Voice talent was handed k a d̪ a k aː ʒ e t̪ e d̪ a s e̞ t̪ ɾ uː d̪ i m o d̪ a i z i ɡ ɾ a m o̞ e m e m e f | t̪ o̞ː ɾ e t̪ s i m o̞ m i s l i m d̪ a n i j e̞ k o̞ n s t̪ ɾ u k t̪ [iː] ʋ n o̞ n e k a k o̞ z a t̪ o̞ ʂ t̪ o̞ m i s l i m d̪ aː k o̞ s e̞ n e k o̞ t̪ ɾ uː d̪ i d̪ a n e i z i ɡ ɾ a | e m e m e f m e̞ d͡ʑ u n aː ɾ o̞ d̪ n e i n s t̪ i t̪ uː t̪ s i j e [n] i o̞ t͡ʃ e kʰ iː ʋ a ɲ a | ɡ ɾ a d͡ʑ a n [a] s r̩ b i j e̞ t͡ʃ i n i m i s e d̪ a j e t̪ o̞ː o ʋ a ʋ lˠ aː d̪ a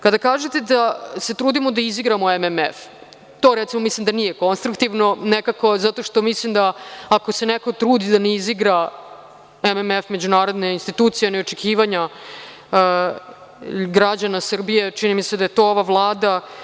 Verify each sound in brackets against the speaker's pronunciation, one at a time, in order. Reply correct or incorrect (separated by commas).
incorrect, correct, correct